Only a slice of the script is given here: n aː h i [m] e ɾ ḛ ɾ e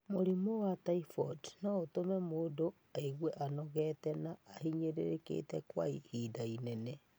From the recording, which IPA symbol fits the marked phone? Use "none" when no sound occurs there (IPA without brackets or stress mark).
ɲ